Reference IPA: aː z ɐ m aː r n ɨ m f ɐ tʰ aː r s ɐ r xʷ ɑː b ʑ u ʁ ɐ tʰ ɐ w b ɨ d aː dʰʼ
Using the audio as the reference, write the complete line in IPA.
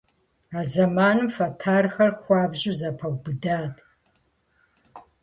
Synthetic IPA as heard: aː z ɐ m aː n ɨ m f ɐ tʰ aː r x ɐ r xʷ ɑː b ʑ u z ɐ pʰ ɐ w b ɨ d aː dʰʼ